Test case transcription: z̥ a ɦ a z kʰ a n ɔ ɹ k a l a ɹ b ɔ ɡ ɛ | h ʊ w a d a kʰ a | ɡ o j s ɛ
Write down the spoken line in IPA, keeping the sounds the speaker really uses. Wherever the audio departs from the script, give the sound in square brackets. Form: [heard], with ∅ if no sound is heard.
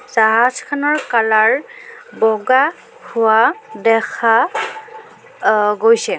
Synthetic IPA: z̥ a ɦ a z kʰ a n ɔ ɹ k a l a ɹ b ɔ ɡ [a] | h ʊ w a d [ɛ] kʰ a | ɡ o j s ɛ